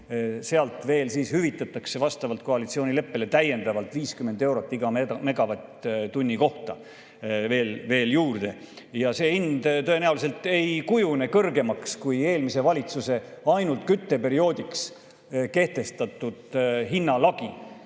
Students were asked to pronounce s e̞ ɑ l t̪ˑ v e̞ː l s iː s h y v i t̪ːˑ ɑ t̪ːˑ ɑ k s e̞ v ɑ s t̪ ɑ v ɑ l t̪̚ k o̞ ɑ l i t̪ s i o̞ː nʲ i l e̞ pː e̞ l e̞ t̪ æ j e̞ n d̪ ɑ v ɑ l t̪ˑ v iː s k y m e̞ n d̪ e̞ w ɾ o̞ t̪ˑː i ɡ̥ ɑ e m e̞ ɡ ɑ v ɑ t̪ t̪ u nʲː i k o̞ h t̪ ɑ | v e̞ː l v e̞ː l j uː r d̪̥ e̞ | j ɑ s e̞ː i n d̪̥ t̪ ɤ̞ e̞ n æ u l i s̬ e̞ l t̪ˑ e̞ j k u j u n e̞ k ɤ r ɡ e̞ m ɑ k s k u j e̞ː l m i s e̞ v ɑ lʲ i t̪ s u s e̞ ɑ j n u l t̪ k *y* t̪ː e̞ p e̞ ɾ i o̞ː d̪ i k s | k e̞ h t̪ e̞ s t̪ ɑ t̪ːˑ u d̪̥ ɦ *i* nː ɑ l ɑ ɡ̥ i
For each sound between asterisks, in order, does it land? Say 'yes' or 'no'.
yes, yes

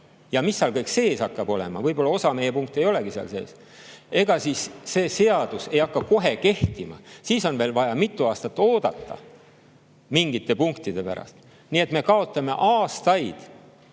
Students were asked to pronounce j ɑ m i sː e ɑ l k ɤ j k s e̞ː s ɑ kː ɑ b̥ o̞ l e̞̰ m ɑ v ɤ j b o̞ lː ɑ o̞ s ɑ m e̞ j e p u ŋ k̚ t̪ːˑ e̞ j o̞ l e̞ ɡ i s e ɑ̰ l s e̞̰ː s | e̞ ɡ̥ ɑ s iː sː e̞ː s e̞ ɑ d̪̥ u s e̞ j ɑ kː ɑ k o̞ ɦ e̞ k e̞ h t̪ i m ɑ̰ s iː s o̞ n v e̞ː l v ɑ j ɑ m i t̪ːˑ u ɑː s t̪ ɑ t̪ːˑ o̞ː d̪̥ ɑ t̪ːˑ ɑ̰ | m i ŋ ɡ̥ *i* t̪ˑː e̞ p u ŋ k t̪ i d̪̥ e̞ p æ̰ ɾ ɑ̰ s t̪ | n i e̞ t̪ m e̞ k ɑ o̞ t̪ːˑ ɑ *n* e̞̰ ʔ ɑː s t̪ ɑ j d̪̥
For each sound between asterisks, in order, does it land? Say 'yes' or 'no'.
yes, no

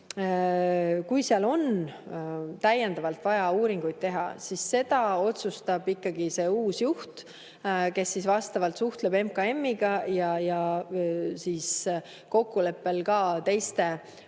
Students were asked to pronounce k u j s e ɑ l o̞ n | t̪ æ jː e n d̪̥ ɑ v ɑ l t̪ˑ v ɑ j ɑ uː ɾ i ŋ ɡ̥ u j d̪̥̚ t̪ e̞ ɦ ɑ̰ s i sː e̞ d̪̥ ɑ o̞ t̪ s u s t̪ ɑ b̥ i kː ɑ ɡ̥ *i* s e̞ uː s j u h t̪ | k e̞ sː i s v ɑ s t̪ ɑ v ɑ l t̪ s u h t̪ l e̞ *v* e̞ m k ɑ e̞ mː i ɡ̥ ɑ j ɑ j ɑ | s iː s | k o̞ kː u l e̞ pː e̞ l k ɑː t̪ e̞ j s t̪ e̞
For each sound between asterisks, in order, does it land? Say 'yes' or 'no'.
yes, no

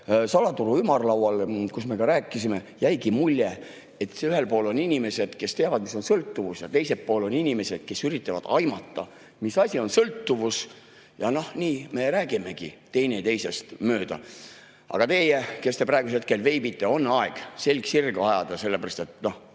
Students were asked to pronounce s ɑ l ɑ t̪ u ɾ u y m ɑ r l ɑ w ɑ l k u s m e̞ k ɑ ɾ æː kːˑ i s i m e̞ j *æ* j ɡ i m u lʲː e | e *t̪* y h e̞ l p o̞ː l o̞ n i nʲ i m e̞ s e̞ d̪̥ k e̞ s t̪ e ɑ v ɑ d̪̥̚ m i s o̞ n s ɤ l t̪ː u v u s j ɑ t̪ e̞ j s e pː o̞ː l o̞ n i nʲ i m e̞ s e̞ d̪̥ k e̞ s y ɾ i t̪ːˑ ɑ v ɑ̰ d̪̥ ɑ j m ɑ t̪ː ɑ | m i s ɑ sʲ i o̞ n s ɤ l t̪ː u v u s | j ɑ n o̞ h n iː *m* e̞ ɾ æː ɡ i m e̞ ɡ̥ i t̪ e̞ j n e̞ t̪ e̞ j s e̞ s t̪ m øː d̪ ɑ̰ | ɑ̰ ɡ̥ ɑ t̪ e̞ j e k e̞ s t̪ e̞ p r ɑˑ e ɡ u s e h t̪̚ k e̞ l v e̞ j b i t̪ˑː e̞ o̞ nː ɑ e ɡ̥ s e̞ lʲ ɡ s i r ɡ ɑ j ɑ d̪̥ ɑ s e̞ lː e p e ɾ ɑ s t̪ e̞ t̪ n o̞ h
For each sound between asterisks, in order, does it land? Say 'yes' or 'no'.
yes, yes, yes

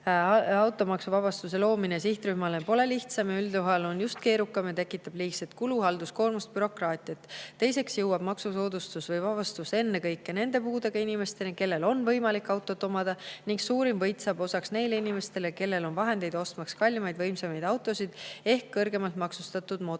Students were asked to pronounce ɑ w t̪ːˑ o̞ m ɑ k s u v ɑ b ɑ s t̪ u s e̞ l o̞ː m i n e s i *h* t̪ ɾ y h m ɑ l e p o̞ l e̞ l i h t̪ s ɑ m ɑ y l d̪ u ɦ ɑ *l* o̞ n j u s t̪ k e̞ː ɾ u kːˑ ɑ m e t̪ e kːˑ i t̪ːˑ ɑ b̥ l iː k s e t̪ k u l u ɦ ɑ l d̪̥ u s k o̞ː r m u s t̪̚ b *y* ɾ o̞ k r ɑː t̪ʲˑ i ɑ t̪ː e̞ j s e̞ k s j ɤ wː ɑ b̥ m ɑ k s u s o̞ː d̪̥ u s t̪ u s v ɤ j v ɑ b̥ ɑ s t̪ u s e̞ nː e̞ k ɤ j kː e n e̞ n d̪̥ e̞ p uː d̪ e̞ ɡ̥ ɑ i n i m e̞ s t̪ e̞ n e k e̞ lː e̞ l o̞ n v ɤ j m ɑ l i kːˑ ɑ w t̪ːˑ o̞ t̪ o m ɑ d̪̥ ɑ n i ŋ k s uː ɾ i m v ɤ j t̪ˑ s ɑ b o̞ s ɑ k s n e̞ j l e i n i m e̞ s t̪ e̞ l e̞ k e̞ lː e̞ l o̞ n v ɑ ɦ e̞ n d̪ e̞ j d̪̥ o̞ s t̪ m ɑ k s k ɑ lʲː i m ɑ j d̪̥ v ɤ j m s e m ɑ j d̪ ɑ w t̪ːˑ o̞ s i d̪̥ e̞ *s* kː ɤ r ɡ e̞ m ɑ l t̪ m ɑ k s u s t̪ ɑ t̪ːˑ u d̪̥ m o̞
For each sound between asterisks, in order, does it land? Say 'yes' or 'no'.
yes, yes, yes, no

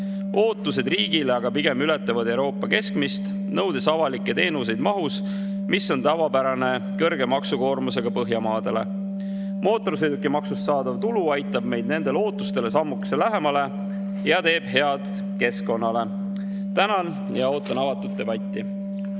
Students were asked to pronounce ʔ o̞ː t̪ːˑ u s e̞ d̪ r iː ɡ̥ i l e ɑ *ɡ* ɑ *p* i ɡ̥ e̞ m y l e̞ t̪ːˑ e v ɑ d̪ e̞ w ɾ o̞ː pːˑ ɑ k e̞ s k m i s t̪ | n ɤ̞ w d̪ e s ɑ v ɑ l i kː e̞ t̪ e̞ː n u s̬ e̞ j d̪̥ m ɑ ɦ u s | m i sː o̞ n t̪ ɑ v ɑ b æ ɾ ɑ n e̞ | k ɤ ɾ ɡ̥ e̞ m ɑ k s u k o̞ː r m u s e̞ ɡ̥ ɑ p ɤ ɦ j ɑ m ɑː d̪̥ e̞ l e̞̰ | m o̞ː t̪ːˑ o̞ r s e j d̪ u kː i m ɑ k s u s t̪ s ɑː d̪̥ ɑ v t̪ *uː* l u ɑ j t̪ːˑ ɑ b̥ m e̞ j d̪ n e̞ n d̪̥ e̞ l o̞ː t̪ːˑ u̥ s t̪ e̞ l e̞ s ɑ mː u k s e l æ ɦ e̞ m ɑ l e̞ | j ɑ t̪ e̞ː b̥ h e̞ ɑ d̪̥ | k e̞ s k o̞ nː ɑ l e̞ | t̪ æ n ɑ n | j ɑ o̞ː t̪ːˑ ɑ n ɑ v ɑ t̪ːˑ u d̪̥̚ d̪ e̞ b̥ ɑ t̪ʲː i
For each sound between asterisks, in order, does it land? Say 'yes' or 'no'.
yes, yes, no

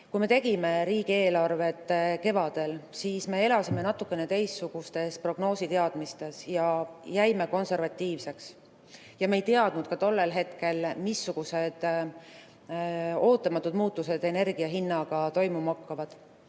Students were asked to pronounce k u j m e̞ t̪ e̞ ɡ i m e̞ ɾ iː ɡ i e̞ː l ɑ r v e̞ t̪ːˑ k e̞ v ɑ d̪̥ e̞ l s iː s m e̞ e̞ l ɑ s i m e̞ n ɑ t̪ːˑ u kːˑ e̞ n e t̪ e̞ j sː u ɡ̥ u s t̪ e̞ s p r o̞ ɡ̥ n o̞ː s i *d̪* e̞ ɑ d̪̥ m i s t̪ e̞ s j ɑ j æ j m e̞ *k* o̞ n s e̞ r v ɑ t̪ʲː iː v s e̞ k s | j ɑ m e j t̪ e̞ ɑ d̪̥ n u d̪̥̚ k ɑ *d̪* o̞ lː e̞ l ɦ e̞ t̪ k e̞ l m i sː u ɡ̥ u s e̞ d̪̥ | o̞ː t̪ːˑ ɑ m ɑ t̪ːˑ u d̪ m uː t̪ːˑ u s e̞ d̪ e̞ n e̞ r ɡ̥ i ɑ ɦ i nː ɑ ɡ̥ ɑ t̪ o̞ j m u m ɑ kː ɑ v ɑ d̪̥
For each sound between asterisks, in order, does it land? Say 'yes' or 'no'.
no, yes, no

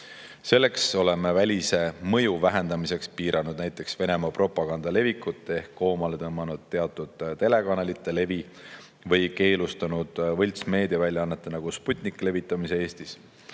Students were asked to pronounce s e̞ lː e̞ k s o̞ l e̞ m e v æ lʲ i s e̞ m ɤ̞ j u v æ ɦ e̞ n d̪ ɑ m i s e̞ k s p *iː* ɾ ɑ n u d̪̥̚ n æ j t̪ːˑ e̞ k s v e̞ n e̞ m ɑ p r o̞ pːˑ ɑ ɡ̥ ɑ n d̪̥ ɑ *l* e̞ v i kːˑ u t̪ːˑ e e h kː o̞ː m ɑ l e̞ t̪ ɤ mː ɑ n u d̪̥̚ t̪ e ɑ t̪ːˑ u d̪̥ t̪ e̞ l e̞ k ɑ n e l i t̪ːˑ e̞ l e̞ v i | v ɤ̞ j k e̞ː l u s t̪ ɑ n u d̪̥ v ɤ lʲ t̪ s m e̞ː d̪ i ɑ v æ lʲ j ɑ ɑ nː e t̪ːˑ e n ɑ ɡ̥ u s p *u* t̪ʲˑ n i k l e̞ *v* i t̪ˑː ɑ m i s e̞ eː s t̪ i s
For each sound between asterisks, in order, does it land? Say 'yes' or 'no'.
yes, yes, yes, yes

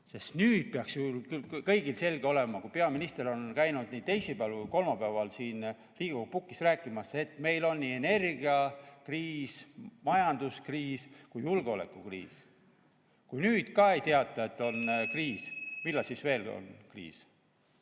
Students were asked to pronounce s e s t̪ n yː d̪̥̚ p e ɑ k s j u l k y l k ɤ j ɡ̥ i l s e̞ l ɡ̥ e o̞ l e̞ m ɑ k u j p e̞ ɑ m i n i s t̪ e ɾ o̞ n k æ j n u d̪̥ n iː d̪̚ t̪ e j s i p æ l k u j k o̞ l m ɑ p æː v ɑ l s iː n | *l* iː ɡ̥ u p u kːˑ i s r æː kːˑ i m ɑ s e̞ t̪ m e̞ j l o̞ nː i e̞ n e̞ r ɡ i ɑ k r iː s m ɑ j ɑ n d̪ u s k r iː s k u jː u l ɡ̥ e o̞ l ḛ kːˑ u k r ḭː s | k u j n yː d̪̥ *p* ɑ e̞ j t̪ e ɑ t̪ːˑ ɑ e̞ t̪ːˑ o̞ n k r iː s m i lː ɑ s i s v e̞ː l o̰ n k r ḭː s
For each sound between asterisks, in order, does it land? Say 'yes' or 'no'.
no, no

